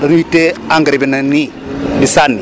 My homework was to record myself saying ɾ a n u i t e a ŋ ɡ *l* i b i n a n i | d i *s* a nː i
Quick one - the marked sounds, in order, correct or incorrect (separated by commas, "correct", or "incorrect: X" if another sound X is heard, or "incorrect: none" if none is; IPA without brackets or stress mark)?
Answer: incorrect: ɾ, correct